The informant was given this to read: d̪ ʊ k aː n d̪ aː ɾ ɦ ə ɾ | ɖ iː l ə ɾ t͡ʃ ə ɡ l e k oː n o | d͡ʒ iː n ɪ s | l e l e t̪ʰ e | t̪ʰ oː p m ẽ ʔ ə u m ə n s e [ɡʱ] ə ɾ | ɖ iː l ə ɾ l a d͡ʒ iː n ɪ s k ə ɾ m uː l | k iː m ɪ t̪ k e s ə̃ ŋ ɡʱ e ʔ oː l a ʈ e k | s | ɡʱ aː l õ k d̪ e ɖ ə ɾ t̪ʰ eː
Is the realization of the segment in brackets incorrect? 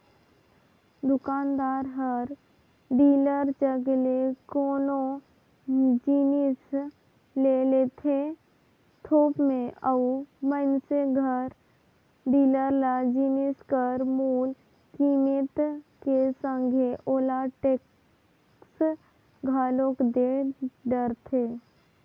no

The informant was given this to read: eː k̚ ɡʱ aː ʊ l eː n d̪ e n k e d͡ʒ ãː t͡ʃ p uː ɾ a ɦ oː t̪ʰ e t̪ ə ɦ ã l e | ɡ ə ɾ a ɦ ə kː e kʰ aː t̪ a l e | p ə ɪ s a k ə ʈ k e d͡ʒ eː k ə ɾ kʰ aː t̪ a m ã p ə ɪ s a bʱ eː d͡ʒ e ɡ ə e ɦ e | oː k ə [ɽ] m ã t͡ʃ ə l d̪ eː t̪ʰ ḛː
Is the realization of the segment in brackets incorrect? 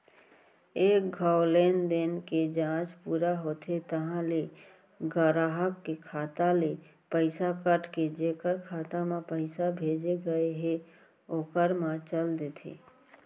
yes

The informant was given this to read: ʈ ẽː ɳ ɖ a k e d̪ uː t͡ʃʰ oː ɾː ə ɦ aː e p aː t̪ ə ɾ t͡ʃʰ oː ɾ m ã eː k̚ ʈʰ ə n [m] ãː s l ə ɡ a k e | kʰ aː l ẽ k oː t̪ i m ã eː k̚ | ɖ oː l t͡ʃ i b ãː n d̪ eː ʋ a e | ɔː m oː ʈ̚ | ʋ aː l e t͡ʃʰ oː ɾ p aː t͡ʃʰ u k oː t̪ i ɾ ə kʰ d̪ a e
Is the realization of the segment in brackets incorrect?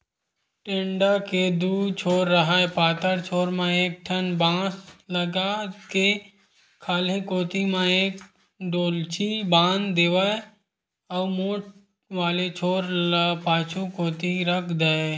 yes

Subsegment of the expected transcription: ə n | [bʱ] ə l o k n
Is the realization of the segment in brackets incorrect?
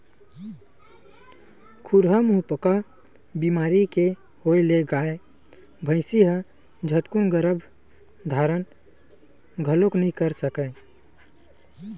yes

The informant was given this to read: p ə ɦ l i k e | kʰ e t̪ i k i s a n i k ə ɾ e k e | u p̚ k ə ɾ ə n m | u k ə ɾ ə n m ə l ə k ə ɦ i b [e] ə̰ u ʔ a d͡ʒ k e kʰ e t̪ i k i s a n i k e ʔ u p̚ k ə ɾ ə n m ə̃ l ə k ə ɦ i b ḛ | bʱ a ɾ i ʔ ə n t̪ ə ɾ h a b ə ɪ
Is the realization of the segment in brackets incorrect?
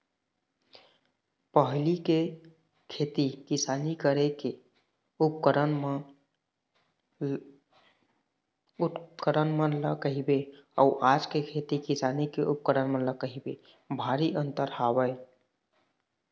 no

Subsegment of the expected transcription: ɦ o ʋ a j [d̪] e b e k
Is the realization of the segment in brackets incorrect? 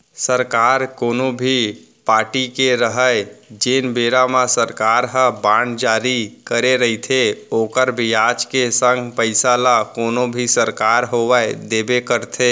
no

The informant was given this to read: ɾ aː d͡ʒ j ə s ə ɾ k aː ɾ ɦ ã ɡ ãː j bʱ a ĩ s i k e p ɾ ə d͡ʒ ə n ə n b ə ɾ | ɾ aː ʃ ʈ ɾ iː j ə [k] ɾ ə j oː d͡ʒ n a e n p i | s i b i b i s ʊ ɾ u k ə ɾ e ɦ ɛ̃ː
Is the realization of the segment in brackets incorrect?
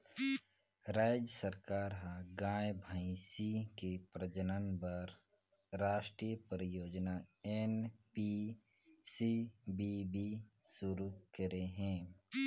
yes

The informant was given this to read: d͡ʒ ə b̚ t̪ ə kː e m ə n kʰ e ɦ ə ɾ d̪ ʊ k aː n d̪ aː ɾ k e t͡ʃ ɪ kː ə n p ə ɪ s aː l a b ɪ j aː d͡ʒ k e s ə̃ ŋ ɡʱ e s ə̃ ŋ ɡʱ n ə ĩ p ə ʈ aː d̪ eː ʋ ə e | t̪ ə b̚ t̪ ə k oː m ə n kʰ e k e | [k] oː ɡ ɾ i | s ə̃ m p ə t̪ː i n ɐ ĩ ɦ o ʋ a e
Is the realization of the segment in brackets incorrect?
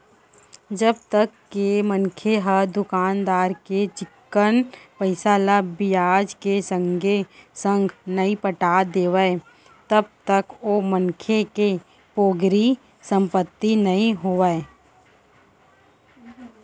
yes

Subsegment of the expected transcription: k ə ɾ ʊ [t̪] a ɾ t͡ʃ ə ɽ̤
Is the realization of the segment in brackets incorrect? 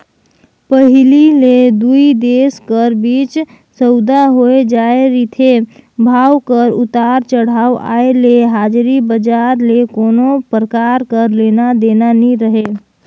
no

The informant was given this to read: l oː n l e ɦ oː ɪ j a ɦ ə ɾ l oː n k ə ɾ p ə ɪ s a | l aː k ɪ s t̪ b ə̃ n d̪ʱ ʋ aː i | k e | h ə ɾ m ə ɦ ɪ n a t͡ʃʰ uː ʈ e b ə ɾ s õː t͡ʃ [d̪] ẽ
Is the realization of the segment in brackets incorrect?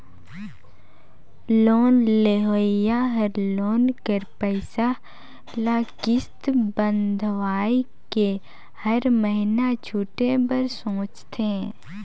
yes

